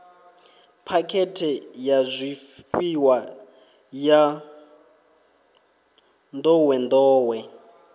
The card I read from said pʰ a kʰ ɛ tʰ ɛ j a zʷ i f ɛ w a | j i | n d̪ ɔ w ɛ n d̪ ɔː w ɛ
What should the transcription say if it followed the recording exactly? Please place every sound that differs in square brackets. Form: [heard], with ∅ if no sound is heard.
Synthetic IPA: pʰ a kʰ ɛ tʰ ɛ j a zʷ i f [i] w a | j [a] | n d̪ ɔ w ɛ n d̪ ɔː w ɛ